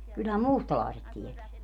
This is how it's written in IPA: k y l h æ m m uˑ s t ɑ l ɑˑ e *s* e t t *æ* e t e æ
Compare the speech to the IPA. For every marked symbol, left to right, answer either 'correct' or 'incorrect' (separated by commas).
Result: correct, incorrect